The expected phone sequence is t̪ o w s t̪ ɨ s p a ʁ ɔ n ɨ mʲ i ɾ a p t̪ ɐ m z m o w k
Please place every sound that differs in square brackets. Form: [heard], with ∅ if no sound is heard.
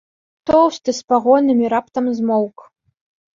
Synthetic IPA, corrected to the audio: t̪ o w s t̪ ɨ s p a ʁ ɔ n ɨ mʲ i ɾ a p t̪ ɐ m z m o w k